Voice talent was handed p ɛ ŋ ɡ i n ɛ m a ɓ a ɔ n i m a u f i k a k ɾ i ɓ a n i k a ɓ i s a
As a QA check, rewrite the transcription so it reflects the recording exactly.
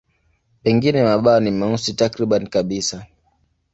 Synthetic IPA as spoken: p ɛ ŋ ɡ i n ɛ m a ɓ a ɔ n i m a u s i t a k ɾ i ɓ a n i k a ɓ i s a